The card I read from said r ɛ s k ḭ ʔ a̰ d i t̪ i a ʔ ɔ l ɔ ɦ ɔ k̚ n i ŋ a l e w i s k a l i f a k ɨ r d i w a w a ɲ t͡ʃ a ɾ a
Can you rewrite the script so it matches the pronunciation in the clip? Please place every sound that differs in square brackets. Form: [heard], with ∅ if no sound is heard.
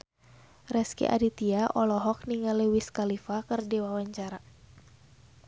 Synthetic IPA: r ɛ s k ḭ ʔ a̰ d i t̪ i a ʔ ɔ l ɔ ɦ ɔ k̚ n i ŋ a l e w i s k a l i f a k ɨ r d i w a w a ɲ t͡ʃ a ɾ a

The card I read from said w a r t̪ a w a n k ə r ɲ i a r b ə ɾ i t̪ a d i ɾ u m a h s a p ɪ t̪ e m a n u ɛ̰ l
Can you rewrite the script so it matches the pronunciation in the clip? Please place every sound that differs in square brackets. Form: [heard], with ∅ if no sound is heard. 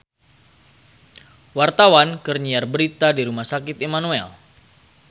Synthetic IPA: w a r t̪ a w a n k ə r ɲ i a r b ə ɾ i t̪ a d i ɾ u m a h s a [k] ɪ t̪ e m a n u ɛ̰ l

